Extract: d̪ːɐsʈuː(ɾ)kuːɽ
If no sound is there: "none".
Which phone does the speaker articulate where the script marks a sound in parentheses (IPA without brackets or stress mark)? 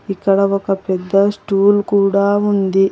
l